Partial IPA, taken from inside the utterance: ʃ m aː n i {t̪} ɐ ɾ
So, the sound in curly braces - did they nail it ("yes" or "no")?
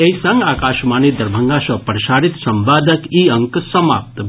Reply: no